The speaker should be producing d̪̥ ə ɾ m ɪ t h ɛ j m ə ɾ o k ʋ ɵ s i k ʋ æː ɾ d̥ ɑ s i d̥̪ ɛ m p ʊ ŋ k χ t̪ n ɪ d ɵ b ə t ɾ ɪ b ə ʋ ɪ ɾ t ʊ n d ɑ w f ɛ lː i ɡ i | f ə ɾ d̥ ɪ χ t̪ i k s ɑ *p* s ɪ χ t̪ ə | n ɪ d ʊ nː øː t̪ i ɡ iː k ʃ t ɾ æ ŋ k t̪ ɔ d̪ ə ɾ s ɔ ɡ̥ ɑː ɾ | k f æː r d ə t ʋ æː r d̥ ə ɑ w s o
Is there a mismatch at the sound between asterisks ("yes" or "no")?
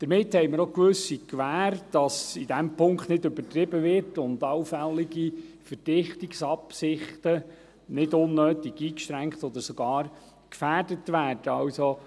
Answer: no